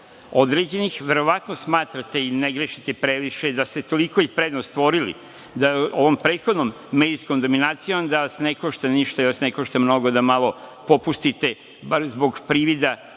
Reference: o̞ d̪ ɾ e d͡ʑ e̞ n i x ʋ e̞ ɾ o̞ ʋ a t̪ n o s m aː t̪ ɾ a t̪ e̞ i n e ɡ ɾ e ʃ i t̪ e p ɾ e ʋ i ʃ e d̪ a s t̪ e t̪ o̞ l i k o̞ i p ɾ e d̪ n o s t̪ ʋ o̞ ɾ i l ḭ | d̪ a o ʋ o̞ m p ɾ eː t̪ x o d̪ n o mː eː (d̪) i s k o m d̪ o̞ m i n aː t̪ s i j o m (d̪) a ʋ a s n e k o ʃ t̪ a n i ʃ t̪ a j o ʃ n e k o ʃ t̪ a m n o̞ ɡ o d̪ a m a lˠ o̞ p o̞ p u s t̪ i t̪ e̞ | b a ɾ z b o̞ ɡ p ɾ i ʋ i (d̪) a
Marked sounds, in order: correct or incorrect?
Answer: correct, correct, correct

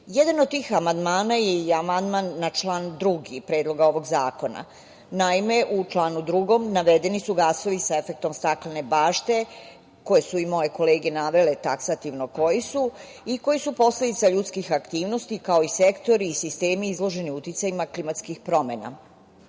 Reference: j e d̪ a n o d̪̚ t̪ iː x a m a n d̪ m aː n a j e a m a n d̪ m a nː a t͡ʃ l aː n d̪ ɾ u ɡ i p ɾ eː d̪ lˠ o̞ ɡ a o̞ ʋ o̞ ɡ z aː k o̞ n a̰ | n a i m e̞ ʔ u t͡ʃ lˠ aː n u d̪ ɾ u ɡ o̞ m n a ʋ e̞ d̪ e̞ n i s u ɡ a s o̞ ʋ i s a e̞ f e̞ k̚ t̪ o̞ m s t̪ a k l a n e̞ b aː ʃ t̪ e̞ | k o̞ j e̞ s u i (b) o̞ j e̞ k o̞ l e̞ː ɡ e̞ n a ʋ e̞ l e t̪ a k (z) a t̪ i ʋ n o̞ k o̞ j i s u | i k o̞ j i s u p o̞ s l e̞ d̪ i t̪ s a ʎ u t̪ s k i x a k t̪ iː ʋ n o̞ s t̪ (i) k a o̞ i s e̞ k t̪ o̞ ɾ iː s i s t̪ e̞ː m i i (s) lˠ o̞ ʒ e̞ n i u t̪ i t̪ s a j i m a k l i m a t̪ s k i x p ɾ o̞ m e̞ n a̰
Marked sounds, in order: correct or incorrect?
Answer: incorrect: m, incorrect: s, correct, incorrect: z

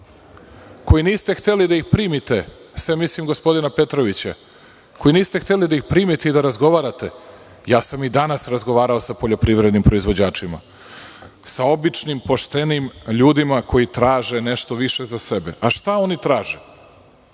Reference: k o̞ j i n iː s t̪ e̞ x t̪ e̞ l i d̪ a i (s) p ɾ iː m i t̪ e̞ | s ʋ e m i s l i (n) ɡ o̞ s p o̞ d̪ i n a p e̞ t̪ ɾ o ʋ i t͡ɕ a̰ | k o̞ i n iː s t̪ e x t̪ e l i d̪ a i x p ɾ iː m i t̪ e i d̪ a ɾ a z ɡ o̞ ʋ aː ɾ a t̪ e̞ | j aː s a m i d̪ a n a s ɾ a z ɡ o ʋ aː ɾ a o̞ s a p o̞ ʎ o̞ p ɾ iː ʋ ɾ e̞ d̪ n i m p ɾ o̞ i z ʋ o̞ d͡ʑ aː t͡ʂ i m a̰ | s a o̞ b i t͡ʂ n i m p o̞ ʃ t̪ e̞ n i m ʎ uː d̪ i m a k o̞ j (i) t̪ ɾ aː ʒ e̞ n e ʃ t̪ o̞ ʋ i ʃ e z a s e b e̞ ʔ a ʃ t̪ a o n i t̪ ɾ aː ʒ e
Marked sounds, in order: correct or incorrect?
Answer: incorrect: x, incorrect: m, correct

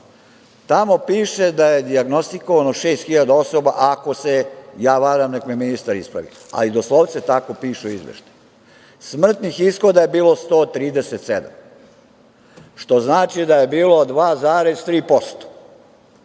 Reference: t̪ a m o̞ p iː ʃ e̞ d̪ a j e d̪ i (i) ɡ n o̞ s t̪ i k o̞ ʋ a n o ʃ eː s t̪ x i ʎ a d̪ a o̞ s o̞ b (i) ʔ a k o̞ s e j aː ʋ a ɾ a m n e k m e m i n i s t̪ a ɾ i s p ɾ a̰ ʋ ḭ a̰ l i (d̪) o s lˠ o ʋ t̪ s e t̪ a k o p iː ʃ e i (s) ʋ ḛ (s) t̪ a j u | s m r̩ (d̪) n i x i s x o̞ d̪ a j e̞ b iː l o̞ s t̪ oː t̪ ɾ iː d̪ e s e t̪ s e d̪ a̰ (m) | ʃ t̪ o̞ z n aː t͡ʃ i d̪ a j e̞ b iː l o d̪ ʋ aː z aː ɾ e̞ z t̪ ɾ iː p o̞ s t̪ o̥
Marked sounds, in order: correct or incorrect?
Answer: incorrect: a, incorrect: a, correct, incorrect: z, incorrect: ʃ, incorrect: t̪, correct

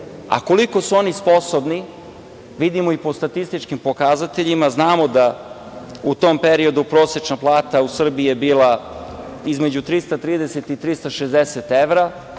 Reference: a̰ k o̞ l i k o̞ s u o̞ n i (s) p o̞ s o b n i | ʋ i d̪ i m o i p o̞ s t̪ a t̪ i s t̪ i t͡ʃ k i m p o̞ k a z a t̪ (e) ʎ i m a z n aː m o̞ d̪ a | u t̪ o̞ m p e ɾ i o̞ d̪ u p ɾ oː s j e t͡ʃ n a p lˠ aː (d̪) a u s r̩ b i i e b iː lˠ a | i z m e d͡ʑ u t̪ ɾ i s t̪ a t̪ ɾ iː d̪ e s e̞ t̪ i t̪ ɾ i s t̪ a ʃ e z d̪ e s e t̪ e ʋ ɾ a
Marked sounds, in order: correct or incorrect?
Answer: correct, correct, incorrect: t̪

